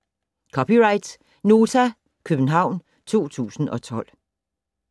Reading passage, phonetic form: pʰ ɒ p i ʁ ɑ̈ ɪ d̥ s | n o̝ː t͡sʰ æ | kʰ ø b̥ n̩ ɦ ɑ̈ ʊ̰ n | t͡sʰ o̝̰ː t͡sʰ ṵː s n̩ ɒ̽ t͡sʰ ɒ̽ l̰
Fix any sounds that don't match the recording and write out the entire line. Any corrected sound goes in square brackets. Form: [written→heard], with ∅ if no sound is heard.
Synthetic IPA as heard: [pʰ→kʰ] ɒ p i ʁ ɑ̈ ɪ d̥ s | n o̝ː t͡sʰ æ | kʰ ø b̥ n̩ ɦ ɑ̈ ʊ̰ n | t͡sʰ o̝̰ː t͡sʰ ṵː s n̩ ɒ̽ t͡sʰ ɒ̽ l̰